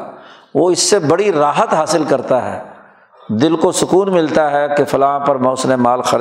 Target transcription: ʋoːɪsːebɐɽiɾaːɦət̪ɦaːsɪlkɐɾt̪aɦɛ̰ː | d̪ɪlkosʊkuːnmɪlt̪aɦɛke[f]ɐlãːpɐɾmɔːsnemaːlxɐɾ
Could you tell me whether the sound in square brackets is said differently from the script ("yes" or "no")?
no